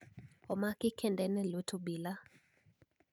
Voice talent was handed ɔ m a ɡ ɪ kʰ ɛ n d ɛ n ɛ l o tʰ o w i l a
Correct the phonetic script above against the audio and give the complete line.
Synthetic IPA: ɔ m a k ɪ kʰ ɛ n d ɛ n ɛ l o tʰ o b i l a